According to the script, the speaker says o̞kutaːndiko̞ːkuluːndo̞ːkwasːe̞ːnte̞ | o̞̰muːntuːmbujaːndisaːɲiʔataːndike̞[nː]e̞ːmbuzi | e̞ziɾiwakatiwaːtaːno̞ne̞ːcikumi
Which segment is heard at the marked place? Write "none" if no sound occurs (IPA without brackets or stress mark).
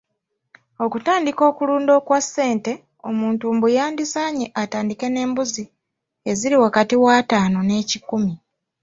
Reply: n